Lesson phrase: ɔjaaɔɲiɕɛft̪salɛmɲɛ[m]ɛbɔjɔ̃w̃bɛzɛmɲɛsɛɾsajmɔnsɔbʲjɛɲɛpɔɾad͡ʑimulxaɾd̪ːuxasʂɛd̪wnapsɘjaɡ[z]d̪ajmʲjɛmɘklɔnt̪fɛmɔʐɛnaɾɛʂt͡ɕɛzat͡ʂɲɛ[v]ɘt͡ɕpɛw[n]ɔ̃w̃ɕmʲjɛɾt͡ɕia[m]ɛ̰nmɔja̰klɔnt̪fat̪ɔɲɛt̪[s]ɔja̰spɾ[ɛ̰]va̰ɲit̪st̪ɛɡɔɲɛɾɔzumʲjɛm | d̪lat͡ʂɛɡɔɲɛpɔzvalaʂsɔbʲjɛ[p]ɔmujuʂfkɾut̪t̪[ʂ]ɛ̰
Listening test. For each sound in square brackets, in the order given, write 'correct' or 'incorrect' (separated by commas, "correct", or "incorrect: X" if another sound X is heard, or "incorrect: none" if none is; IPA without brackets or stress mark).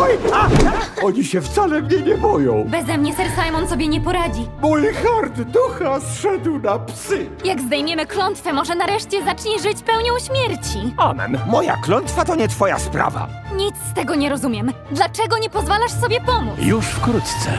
incorrect: ɲ, correct, incorrect: ʐ, incorrect: ɲ, correct, incorrect: f, incorrect: a̰, correct, incorrect: s